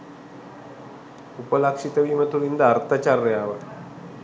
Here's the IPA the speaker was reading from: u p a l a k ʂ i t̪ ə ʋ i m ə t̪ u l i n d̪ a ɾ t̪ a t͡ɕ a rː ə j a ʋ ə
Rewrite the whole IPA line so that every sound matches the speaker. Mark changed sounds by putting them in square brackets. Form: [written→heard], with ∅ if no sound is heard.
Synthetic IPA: u p [a→ə] l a k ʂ i t̪ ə ʋ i m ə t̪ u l i n d̪ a ɾ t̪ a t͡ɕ a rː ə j a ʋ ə